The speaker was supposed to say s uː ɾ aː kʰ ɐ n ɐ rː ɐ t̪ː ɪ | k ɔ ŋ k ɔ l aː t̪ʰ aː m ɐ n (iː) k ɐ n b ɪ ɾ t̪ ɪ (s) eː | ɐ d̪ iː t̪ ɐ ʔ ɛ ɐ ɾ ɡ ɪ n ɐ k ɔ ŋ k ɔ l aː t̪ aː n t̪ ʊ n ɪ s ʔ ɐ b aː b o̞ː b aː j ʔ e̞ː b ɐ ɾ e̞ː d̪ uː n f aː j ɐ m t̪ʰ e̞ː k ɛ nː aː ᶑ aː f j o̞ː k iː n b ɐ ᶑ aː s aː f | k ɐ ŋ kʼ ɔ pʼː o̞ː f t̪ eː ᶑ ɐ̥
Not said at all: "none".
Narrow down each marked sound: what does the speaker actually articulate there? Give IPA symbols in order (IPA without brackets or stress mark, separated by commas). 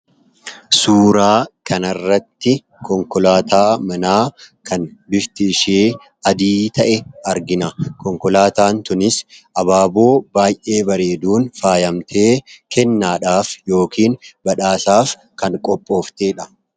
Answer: aː, ʃ